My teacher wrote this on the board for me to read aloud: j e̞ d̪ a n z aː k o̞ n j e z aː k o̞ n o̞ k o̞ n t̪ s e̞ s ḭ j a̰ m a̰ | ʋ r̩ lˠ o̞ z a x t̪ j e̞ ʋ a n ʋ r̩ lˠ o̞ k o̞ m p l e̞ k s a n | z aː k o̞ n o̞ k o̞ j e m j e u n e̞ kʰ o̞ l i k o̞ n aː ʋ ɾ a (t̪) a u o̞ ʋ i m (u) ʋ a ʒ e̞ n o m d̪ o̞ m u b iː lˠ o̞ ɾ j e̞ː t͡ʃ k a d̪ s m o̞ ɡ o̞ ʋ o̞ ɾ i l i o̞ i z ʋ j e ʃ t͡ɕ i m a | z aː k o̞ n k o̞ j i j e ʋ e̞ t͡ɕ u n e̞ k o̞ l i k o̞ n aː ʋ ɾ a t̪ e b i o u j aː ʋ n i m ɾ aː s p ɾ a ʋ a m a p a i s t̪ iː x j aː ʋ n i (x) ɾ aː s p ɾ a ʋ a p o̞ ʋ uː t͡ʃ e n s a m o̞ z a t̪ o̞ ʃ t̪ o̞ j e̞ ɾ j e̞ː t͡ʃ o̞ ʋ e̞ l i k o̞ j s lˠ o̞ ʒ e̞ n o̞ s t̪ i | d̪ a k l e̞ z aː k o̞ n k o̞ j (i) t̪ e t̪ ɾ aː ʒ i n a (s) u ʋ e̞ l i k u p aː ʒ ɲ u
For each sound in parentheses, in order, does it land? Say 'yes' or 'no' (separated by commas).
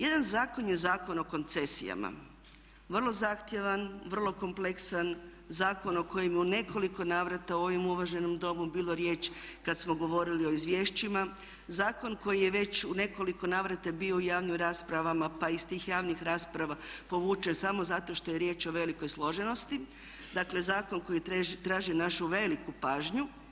yes, yes, yes, yes, no